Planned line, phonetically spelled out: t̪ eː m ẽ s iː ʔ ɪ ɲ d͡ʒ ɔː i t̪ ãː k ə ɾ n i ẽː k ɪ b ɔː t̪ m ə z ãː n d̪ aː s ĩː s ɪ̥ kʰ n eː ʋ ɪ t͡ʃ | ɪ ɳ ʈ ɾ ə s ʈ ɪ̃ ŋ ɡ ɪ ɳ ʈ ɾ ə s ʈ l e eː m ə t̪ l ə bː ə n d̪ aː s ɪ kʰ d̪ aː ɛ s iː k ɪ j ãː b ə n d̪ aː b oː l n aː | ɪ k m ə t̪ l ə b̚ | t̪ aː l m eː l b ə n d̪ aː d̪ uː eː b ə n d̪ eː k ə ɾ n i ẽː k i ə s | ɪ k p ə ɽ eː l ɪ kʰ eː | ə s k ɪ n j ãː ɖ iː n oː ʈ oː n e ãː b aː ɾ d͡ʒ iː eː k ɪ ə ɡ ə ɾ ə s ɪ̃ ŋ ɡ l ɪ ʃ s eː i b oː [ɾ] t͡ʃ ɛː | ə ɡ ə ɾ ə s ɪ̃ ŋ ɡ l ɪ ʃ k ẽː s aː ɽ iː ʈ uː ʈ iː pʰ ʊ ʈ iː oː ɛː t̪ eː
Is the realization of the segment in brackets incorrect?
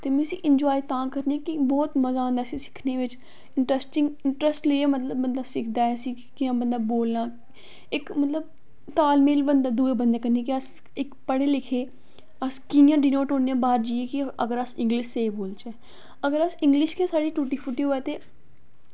yes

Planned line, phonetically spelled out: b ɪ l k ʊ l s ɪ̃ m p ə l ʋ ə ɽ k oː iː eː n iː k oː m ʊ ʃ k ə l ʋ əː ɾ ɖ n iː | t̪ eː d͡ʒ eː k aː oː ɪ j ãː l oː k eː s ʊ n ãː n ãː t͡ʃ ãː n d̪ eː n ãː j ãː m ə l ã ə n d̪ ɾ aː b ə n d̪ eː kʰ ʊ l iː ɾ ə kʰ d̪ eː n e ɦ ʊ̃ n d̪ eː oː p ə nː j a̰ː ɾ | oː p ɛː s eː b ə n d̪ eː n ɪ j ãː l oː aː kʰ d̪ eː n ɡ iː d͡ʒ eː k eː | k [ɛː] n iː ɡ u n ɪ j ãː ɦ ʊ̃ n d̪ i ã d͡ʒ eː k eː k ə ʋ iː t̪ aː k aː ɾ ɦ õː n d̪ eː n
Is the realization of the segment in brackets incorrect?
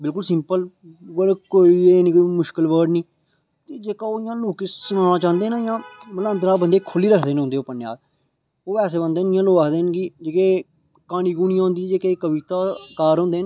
yes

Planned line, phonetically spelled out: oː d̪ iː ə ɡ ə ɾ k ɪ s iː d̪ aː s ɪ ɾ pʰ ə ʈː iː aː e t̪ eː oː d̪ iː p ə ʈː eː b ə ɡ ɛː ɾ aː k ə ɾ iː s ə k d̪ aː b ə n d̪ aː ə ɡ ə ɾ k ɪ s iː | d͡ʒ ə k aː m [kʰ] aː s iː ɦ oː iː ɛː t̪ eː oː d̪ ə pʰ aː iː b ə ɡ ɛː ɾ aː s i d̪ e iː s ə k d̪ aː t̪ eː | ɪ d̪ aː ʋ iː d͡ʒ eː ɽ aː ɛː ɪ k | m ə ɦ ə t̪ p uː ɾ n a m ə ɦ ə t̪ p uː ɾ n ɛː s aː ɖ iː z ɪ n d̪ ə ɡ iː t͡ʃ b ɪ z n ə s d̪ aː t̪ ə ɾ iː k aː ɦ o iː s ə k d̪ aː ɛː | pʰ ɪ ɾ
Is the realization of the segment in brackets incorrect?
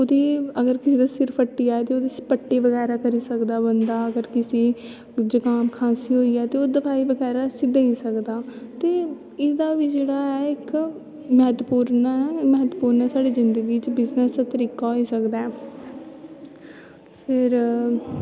no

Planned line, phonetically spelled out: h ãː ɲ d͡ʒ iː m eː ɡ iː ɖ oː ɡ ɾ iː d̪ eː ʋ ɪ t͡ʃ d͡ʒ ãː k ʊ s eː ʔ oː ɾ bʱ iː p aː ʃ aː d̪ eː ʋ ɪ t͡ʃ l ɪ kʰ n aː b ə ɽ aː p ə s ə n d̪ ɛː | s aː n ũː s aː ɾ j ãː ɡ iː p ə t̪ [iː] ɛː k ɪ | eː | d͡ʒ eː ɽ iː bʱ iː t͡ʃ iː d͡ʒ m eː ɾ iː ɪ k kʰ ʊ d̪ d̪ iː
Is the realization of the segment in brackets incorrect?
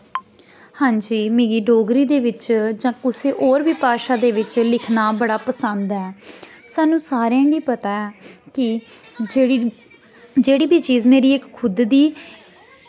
yes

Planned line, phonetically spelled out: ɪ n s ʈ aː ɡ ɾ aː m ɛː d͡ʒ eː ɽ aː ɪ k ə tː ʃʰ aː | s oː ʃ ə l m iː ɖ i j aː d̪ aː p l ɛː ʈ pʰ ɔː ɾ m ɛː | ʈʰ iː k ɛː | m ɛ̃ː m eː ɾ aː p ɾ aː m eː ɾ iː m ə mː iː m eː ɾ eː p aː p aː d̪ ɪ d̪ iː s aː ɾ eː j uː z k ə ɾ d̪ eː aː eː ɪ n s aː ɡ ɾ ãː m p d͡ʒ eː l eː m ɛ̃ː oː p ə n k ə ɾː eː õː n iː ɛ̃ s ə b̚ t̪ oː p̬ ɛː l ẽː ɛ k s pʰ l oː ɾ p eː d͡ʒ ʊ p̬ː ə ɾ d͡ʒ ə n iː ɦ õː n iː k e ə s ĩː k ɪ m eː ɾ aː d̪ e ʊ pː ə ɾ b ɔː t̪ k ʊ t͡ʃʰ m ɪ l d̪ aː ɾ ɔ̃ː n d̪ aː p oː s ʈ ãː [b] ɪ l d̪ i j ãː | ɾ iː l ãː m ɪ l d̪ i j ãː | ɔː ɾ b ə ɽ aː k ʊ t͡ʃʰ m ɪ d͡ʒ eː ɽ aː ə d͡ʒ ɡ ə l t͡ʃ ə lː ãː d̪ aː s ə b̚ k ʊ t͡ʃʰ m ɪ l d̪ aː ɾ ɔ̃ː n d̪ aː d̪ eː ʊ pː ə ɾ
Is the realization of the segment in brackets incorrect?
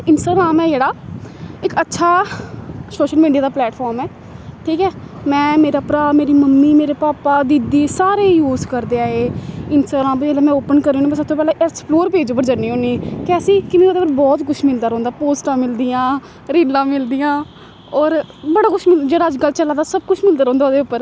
yes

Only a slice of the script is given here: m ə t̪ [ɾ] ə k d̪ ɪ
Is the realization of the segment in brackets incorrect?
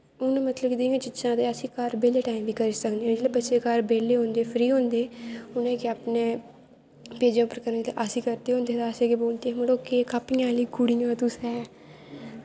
yes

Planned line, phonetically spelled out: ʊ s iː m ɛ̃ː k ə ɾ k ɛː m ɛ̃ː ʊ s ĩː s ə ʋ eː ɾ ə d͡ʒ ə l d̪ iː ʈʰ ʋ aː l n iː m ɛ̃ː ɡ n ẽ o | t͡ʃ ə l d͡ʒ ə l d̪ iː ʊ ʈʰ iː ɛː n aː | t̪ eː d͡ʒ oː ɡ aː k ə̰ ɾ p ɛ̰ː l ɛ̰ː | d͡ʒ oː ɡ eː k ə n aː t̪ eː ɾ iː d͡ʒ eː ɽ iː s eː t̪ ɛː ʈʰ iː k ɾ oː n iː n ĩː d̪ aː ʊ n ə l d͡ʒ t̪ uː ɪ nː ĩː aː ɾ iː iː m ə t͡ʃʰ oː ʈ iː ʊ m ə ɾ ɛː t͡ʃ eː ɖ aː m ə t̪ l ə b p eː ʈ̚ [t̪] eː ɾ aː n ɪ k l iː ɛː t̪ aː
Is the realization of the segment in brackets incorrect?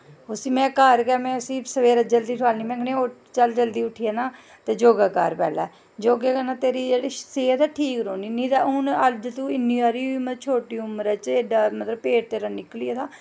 no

